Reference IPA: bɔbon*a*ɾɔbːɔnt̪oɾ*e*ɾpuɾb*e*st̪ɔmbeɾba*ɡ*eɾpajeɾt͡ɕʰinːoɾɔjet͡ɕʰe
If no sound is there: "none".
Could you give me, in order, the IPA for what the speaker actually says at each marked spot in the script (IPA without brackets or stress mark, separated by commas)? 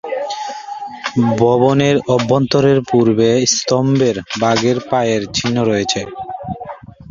e, e, e, ɡ